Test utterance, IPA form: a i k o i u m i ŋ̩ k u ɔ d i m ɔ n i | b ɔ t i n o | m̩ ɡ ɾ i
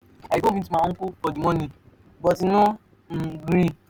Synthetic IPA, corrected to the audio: a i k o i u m a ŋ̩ k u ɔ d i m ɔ n i | b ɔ t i n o | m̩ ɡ ɾ i